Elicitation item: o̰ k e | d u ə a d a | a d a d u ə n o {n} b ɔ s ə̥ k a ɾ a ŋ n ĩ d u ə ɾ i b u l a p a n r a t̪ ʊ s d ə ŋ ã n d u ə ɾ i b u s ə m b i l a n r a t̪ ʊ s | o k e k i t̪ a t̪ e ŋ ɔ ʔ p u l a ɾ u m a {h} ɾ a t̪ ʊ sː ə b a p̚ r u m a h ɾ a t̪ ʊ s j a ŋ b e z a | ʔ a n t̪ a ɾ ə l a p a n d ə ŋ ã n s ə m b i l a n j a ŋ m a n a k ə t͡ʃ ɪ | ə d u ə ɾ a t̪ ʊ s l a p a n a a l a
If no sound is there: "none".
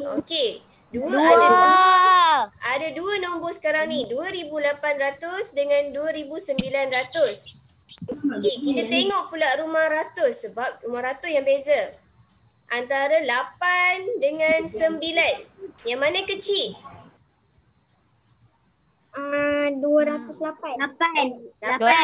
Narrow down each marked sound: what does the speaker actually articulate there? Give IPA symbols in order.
m, h

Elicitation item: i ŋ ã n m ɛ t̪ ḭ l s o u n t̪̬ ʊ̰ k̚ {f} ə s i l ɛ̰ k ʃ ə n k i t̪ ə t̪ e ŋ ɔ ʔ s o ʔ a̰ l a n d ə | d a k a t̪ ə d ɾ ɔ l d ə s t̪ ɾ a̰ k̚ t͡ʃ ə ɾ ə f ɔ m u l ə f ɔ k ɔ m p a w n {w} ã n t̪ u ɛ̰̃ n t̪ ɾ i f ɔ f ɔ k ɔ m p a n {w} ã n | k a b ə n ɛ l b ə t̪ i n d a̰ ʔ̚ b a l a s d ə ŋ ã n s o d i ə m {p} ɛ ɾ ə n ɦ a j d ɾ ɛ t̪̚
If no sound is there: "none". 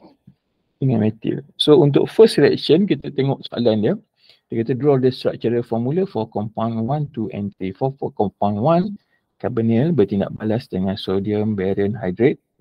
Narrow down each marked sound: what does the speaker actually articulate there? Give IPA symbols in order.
f, w, w, b

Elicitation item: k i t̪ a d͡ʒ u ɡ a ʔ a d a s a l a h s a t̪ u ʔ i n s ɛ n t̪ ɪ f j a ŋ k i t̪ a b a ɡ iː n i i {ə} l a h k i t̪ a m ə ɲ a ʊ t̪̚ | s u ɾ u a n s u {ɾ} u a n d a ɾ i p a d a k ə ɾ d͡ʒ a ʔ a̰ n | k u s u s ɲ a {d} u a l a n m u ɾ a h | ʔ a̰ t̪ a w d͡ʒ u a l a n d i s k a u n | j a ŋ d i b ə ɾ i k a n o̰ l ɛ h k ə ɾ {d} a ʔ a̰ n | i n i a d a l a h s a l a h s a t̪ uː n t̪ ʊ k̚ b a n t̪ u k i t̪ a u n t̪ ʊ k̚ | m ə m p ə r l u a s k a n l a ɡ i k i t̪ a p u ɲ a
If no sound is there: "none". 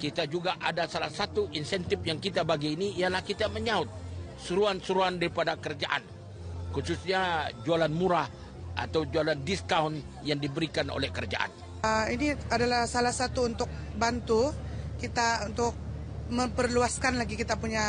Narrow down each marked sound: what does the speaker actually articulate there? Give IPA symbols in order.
a, ɾ, d͡ʒ, d͡ʒ

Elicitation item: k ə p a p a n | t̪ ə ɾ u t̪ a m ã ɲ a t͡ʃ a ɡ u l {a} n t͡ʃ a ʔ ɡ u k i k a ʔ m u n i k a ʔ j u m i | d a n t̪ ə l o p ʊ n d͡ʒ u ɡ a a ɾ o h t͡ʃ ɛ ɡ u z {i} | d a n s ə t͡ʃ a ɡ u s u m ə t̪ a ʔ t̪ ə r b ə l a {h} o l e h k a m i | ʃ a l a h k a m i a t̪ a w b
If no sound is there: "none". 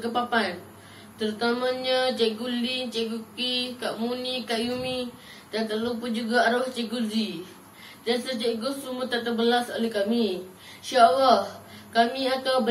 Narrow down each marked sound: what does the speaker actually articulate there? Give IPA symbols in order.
i, i, s

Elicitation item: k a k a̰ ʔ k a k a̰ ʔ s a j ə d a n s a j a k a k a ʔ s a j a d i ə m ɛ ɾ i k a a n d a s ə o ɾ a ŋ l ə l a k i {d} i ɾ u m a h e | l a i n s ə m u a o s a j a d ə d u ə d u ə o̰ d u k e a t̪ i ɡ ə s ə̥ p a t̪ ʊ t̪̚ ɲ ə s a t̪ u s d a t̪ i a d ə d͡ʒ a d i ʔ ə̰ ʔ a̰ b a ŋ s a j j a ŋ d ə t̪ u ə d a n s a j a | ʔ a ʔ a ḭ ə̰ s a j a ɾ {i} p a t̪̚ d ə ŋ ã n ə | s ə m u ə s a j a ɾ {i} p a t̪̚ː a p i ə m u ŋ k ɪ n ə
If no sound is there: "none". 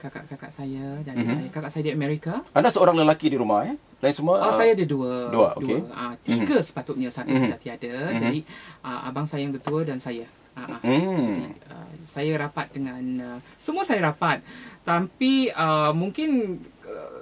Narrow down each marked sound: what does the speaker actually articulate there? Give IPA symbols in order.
d, a, a

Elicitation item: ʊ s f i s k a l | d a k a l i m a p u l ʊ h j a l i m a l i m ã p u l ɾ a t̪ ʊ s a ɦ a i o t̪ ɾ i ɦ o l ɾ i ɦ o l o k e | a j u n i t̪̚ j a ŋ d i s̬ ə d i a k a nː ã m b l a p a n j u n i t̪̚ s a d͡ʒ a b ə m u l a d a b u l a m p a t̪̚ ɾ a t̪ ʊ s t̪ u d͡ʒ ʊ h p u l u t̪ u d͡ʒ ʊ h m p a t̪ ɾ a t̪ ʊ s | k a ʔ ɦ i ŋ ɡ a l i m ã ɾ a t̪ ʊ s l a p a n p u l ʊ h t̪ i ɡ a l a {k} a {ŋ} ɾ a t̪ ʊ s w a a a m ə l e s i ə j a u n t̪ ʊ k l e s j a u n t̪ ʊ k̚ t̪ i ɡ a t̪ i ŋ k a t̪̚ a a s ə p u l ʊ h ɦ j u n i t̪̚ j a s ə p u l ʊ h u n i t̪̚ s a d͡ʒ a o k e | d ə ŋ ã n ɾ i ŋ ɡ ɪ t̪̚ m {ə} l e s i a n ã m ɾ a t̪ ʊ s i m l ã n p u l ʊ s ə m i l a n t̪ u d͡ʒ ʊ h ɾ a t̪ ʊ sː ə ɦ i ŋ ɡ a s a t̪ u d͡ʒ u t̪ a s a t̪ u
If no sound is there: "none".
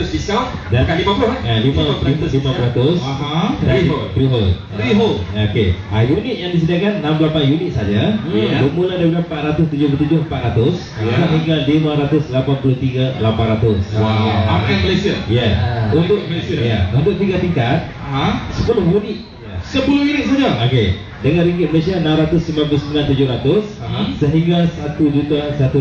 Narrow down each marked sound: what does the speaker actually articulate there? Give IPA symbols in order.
p, n, ə

